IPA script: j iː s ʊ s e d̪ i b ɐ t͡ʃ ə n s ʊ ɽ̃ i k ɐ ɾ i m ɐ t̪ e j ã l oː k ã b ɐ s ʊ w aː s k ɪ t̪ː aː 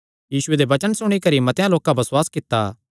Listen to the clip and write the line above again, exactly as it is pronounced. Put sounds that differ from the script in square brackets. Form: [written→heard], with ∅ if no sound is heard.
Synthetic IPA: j iː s ʊ [s→∅] e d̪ [i→e] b ɐ t͡ʃ ə n s ʊ ɽ̃ i k ɐ ɾ i m ɐ t̪ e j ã l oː k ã b ɐ s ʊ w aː s k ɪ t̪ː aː